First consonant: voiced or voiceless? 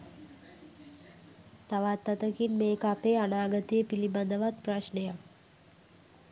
voiceless